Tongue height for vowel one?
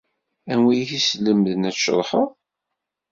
low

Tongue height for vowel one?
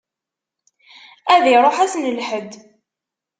low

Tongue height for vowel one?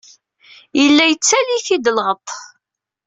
mid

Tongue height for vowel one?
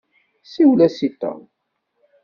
high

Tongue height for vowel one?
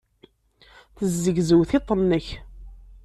mid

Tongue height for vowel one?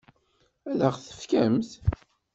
low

